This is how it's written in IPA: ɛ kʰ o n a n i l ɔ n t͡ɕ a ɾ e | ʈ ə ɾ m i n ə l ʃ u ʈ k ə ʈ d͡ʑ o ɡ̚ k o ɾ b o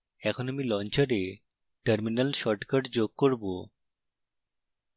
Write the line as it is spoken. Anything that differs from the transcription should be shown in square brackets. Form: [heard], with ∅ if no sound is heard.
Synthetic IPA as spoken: ɛ kʰ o n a [m] i l ɔ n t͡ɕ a ɾ e | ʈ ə ɾ m i n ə l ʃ [ɔ] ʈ k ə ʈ d͡ʑ o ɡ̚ k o ɾ b o

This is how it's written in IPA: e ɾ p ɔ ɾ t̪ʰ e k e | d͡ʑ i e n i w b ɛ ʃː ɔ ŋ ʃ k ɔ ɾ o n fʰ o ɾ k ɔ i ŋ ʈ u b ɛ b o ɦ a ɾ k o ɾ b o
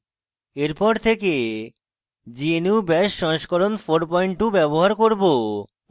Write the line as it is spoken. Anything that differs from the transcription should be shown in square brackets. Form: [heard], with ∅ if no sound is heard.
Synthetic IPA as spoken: e ɾ p ɔ ɾ t̪ʰ e k e | d͡ʑ i e n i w b ɛ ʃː ɔ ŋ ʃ k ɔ ɾ o n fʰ o ɾ [p] ɔ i [ɳ] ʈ u b ɛ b o ɦ a ɾ k o ɾ b o

